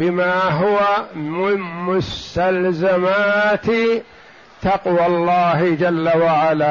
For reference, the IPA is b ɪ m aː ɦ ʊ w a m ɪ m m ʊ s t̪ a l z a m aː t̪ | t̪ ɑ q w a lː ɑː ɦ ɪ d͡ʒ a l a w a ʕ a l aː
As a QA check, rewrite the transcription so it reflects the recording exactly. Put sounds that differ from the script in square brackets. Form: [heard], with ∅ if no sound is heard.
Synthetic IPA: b ɪ m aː ɦ ʊ w a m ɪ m m ʊ s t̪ a l z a m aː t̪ | t̪ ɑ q w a lː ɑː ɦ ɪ d͡ʒ a [lː] a w a ʕ a l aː